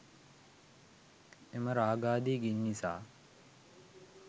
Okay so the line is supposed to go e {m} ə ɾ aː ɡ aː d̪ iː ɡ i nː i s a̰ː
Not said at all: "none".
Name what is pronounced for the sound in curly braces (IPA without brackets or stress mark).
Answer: m